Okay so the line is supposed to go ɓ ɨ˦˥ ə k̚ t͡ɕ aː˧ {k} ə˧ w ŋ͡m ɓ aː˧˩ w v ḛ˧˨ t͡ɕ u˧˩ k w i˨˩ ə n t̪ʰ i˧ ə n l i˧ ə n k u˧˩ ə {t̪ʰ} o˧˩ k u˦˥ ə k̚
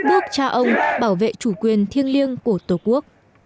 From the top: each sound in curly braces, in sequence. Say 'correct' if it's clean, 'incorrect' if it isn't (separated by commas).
incorrect, incorrect